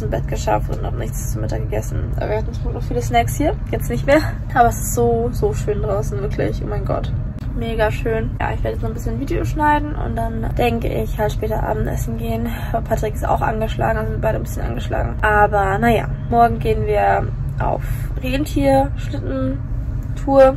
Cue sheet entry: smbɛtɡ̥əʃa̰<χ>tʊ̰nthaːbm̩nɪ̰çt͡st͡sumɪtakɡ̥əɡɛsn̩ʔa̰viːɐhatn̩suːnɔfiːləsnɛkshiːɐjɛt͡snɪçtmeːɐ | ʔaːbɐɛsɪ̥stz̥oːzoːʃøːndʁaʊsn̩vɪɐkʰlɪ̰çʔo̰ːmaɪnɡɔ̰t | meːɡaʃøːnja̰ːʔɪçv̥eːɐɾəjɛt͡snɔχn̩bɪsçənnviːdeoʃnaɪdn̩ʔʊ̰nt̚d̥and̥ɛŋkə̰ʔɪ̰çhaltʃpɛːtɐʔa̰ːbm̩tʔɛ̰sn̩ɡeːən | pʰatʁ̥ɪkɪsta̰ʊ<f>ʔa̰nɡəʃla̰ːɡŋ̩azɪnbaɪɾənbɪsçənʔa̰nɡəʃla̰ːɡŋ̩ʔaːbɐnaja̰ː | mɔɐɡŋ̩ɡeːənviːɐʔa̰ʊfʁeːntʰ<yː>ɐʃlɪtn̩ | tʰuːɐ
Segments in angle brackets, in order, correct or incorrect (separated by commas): incorrect, incorrect, incorrect